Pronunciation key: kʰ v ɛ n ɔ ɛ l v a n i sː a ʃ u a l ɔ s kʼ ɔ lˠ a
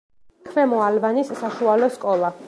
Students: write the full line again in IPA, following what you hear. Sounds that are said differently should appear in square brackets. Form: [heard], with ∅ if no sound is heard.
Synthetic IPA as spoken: kʰ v ɛ [m] ɔ [a] l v a n i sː a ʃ u a l ɔ s kʼ ɔ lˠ a

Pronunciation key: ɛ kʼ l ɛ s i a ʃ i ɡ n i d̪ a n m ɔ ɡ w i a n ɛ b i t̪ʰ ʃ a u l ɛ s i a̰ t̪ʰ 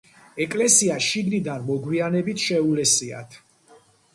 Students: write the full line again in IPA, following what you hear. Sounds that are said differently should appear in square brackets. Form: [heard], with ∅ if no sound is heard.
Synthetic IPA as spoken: ɛ kʼ l ɛ s i a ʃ i ɡ n i d̪ a n m ɔ ɡ w i a n ɛ b i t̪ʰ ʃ [ɛ] u l ɛ s i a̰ t̪ʰ

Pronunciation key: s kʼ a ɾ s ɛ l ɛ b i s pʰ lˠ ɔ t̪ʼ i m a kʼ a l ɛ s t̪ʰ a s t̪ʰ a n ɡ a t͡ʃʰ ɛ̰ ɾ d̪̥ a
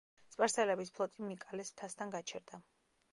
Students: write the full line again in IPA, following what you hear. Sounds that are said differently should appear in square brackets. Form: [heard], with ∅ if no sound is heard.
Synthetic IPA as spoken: s [pʼ] a ɾ s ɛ l ɛ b i s pʰ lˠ ɔ t̪ʼ i m [i] kʼ a l ɛ s t̪ʰ a s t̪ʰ a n ɡ a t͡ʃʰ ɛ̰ ɾ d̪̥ a

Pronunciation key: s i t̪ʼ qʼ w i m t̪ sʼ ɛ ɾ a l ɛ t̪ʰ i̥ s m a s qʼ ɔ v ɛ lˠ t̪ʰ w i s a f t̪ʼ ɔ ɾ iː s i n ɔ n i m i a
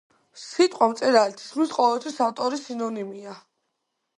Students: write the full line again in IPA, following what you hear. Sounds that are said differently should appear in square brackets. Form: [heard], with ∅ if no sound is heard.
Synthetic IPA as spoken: s i t̪ʼ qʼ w [a] m t̪ sʼ ɛ ɾ a l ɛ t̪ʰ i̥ s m [i] s qʼ ɔ v ɛ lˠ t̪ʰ w i s a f t̪ʼ ɔ ɾ [i] s i n ɔ n i m i a

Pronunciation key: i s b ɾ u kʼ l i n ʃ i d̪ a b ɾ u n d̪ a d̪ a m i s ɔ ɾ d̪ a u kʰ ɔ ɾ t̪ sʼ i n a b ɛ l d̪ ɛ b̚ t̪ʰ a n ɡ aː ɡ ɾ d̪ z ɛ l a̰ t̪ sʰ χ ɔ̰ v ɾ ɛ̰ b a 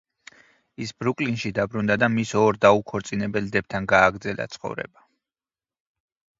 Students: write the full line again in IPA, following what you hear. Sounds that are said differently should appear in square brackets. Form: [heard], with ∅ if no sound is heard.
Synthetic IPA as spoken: i s b ɾ u kʼ l i n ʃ i d̪ a b ɾ u n d̪ a d̪ a m i s ɔ ɾ d̪ a u kʰ ɔ ɾ t̪ sʼ i n [ɛ] b ɛ l d̪ ɛ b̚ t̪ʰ a n ɡ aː ɡ ɾ d̪ z ɛ l a̰ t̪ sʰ χ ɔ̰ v ɾ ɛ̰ b a

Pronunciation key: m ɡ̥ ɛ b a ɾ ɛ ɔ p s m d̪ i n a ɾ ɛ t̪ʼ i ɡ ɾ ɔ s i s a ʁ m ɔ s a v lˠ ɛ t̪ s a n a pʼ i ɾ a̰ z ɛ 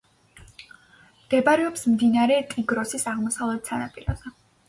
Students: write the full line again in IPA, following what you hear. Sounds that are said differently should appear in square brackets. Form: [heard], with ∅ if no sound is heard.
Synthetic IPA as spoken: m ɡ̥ ɛ b a ɾ ɛ ɔ p s m d̪ i n a ɾ ɛ t̪ʼ i ɡ ɾ ɔ s i s a ʁ m ɔ s a v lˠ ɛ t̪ s a n a pʼ i ɾ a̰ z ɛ

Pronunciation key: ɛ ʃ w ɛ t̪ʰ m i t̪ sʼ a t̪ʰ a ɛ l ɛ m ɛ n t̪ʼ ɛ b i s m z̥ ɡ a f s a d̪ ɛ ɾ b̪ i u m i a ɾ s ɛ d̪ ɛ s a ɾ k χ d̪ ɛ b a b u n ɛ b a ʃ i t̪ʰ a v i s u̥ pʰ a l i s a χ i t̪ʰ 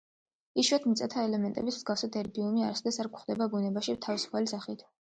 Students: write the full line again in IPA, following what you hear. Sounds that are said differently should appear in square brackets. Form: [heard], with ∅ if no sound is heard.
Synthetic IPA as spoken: [i] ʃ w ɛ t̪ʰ m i t̪ sʼ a t̪ʰ a ɛ l ɛ m ɛ n t̪ʼ ɛ b i s m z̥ ɡ a f s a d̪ ɛ ɾ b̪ i u m i a ɾ s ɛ d̪ ɛ s a ɾ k χ d̪ ɛ b a b u n ɛ b a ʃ i t̪ʰ a v i s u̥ pʰ a l i s a χ i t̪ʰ

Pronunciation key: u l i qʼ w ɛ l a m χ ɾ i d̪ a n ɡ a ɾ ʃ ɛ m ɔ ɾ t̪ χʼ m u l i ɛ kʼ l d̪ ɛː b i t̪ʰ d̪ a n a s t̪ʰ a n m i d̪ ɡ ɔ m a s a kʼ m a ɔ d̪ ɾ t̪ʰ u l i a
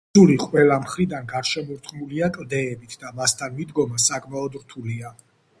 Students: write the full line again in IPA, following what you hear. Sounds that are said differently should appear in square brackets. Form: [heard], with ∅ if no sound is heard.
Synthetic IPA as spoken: u l i qʼ w ɛ l a m χ ɾ i d̪ a n ɡ a ɾ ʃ ɛ m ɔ ɾ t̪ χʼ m u l i [a] kʼ l d̪ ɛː b i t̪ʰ d̪ a [m] a s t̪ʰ a n m i d̪ ɡ ɔ m a s a kʼ m a ɔ d̪ ɾ t̪ʰ u l i a

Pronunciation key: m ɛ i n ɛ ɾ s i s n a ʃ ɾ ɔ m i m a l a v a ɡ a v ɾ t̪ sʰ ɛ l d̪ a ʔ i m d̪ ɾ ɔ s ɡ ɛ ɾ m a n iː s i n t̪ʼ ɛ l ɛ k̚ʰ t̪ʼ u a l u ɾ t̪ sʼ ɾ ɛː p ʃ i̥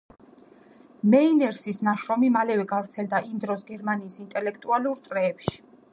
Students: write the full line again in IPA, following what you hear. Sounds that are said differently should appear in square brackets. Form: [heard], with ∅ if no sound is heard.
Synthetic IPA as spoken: m ɛ i n ɛ ɾ s i s n a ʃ ɾ ɔ m i m a l [ɛ] v [ɛ] ɡ a v ɾ t̪ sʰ ɛ l d̪ a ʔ i m d̪ ɾ ɔ s ɡ ɛ ɾ m a n iː s i n t̪ʼ ɛ l ɛ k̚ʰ t̪ʼ u a l u ɾ t̪ sʼ ɾ ɛː p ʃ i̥

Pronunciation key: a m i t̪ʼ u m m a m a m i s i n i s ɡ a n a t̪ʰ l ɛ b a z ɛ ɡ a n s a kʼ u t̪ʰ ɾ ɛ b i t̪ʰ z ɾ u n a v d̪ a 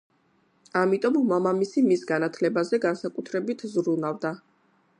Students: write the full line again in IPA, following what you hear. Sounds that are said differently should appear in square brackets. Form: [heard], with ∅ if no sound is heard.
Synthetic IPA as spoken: a m i t̪ʼ [ɔ] m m a m a m i s i [m] i s ɡ a n a t̪ʰ l ɛ b a z ɛ ɡ a n s a kʼ u t̪ʰ ɾ ɛ b i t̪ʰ z ɾ u n a v d̪ a

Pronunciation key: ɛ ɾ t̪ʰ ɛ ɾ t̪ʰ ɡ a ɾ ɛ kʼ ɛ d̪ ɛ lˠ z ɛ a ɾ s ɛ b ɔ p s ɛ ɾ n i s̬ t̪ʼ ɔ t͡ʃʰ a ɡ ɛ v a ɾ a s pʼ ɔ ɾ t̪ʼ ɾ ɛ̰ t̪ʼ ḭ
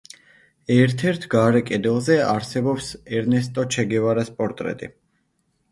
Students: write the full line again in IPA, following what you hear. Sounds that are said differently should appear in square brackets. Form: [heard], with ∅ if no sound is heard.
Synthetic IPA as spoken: ɛ ɾ t̪ʰ ɛ ɾ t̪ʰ ɡ a ɾ ɛ kʼ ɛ d̪ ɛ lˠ z ɛ a ɾ s ɛ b ɔ p s ɛ ɾ n [ɛ] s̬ t̪ʼ ɔ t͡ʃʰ [ɛ] ɡ ɛ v a ɾ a s pʼ ɔ ɾ t̪ʼ ɾ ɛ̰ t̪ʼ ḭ

